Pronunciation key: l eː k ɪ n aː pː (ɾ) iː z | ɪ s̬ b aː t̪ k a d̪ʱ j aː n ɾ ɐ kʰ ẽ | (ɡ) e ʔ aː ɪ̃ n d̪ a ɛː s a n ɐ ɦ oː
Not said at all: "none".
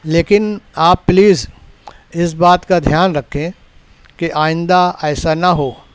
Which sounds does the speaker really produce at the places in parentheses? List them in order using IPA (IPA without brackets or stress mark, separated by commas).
l, k